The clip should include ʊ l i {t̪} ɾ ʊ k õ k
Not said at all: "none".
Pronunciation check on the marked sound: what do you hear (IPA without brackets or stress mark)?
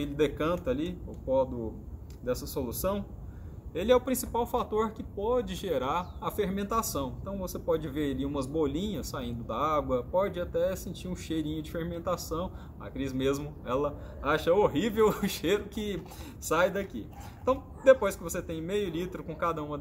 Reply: t̪